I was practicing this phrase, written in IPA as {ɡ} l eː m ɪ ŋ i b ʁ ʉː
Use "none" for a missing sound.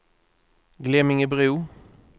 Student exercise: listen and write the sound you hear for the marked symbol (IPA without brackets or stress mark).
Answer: ɡ